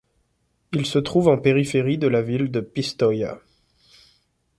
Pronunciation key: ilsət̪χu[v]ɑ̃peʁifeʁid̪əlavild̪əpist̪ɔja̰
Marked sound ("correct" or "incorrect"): correct